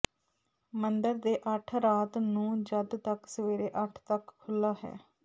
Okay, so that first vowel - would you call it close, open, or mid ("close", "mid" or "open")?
mid